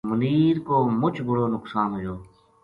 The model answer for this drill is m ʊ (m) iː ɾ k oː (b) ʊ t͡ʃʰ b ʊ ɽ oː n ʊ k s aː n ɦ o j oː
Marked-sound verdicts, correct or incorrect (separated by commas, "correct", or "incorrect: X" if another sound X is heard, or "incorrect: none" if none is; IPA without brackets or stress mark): incorrect: n, incorrect: m